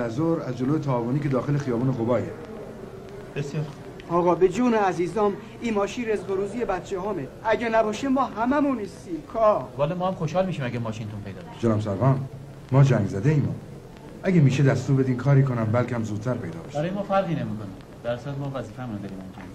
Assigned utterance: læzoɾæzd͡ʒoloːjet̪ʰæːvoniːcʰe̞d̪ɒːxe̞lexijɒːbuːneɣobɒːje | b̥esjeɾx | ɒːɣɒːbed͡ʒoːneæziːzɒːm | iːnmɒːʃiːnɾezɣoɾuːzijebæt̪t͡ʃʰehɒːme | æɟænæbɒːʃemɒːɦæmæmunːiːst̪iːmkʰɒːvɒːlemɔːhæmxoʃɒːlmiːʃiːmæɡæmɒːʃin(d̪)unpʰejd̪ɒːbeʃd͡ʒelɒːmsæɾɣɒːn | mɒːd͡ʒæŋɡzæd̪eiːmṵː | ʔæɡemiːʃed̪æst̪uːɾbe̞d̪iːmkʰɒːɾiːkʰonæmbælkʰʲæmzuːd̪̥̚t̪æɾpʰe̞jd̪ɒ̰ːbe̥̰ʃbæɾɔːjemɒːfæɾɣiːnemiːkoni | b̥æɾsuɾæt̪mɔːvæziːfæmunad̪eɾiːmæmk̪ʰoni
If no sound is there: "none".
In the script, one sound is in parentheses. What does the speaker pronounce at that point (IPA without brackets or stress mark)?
t̪